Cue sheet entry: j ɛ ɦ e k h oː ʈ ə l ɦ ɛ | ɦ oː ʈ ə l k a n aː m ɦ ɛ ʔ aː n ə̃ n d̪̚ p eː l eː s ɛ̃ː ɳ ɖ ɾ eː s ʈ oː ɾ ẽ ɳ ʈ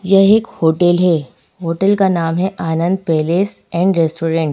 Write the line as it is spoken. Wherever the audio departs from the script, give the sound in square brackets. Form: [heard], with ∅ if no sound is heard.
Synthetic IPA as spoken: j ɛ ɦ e k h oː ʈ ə l ɦ ɛ | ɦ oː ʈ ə l k a n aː m ɦ ɛ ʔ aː n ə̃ n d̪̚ p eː l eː s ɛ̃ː ɳ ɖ ɾ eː s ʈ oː ɾ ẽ ɳ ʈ